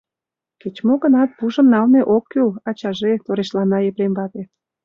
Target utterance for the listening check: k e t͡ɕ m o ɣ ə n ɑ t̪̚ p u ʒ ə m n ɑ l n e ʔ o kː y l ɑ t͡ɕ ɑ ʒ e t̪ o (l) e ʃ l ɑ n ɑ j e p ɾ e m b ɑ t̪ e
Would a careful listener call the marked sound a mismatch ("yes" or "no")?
yes